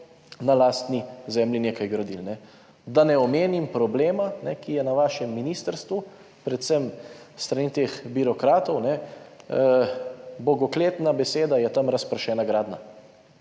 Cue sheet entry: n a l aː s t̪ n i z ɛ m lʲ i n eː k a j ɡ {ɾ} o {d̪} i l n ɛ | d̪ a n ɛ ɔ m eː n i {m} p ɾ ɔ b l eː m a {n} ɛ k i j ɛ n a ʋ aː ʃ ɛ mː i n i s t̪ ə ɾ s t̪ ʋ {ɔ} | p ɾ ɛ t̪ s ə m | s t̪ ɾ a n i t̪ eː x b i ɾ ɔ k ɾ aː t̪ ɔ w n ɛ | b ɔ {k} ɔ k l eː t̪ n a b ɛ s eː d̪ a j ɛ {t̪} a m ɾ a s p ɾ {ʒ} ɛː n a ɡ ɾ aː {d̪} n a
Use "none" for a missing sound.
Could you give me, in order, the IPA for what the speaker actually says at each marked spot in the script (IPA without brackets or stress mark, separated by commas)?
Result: ɾ, d̪, m, n, u, ɡ, t̪, ʃ, d̪